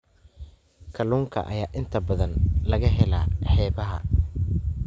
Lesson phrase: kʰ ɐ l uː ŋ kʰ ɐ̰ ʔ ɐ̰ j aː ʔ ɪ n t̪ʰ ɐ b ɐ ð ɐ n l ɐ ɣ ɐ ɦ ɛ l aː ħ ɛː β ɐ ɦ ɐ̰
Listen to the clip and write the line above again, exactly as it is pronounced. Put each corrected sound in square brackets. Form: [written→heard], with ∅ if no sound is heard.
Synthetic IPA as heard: kʰ ɐ l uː ŋ kʰ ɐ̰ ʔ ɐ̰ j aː ʔ ɪ n t̪ʰ ɐ b ɐ ð ɐ n l ɐ ɣ ɐ ɦ ɛ l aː ħ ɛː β ɐ ɦ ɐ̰